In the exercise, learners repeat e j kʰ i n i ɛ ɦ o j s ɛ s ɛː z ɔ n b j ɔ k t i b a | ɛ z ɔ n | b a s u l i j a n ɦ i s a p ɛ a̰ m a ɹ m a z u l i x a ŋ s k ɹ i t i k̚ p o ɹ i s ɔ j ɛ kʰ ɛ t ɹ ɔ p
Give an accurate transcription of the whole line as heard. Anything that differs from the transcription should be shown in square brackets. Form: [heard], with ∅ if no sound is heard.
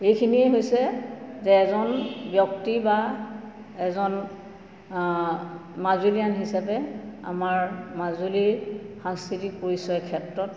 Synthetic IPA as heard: e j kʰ i n i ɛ ɦ o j s ɛ [z] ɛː z ɔ n b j ɔ k t i b a | ɛ z ɔ n | [m] a [z] u l i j a n ɦ i s a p ɛ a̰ m a ɹ m a z u l i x a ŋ s k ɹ i t i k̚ p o ɹ i s ɔ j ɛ kʰ ɛ t ɹ ɔ [t]